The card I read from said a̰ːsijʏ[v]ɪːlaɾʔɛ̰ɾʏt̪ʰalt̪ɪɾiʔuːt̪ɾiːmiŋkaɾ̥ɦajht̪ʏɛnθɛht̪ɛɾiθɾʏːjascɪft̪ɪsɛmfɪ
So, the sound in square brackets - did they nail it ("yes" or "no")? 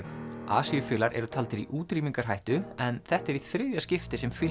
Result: no